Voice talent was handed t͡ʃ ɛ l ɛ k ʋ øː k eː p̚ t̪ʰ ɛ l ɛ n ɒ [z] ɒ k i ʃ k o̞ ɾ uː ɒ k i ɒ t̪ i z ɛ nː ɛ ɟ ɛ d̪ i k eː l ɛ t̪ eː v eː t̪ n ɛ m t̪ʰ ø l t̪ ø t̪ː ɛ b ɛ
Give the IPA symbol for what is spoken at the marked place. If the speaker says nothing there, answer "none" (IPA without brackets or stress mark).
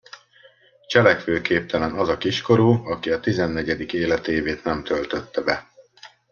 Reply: z